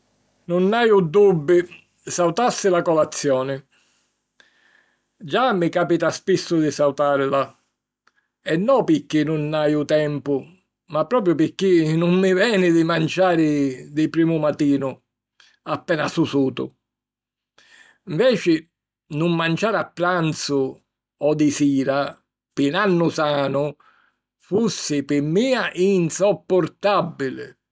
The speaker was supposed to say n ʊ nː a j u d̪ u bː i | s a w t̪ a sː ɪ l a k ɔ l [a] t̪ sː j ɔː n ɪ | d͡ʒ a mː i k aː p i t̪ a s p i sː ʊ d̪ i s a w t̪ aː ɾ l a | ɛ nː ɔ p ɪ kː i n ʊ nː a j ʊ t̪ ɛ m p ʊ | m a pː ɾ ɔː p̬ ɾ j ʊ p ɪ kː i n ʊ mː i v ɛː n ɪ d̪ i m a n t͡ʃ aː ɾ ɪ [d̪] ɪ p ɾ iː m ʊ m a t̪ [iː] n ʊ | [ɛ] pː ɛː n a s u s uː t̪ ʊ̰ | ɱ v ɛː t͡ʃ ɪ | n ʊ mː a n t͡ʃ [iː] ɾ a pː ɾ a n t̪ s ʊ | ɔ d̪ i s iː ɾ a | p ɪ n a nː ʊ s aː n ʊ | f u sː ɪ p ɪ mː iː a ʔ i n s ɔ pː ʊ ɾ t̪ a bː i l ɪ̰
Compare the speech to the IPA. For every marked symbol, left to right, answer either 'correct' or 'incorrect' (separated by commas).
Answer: correct, correct, correct, incorrect, incorrect